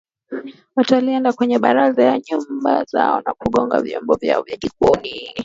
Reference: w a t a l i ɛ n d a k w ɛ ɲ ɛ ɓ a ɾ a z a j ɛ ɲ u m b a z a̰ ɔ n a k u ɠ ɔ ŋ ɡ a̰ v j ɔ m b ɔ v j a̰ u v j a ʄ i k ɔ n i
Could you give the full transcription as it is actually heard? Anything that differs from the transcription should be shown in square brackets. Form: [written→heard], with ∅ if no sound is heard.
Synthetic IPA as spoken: w a t a l i ɛ n d a k w ɛ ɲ ɛ ɓ a ɾ a z a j [ɛ→a] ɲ u m b a z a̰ ɔ n a k u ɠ ɔ ŋ ɡ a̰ v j ɔ m b ɔ v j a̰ [u→ɔ] v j a ʄ i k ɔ n i